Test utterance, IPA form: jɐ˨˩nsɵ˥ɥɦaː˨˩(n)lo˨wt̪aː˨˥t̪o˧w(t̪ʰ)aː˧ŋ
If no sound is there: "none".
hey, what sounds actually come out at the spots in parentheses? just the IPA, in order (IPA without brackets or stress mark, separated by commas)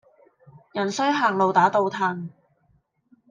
ŋ, t̪ʰ